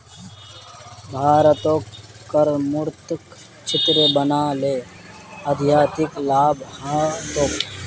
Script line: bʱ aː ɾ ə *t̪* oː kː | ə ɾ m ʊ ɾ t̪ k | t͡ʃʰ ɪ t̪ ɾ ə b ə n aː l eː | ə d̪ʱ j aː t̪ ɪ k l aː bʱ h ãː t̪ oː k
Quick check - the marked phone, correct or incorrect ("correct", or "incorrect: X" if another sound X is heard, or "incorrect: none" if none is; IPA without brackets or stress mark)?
correct